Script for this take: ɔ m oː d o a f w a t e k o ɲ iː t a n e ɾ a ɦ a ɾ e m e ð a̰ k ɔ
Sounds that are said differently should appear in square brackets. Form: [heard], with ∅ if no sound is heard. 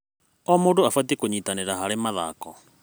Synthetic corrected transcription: ɔ m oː d o a f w a t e k o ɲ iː t a n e ɾ a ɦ a ɾ e m [a] ð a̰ k ɔ